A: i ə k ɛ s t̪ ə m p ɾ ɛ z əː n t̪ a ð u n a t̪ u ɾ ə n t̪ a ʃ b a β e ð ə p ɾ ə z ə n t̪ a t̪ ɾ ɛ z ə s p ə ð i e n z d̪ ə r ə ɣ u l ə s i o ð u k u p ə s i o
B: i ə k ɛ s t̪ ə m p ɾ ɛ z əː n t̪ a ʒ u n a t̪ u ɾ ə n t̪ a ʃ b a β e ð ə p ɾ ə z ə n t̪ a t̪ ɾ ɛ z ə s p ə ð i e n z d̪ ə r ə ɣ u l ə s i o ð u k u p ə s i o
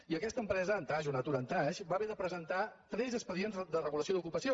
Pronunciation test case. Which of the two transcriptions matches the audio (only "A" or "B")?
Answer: B